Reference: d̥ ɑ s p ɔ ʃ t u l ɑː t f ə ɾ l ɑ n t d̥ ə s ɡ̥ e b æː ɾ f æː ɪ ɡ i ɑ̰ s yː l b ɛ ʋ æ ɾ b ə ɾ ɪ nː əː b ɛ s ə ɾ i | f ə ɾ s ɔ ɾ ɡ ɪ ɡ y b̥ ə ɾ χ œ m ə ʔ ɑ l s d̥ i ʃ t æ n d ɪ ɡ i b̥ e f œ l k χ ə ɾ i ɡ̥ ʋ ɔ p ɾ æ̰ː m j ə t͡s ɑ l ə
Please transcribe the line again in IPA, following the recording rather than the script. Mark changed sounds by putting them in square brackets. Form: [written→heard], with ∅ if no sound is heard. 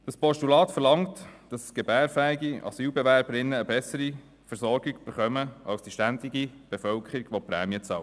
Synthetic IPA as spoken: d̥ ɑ s p ɔ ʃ t u l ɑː t f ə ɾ l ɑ [n→ŋ] t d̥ [ə→ɑ] s ɡ̥ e b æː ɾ f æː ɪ ɡ i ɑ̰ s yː l b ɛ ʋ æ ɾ b ə ɾ ɪ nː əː b ɛ s ə ɾ i | f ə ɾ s ɔ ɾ ɡ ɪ ɡ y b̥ ə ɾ χ œ m ə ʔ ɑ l s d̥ i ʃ t æ n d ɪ ɡ i b̥ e f œ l k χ ə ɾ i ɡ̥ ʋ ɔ p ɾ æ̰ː m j ə t͡s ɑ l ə